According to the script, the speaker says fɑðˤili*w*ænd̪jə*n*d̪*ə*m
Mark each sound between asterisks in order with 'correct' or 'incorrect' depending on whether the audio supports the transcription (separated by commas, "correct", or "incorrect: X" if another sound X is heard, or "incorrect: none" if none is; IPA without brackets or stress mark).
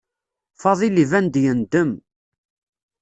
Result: incorrect: v, correct, correct